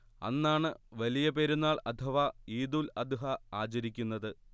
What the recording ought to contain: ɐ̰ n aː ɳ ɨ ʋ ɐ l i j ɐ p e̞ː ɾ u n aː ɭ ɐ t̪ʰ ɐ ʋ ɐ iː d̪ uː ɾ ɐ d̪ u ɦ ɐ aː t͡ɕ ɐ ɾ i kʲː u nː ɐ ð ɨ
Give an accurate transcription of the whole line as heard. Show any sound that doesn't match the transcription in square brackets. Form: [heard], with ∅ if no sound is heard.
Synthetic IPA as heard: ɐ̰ [nː] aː ɳ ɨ ʋ ɐ l i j ɐ p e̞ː ɾ u [nː] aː ɭ ɐ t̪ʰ ɐ ʋ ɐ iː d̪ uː [l] ɐ d̪ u ɦ ɐ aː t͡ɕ ɐ ɾ i kʲː u nː ɐ ð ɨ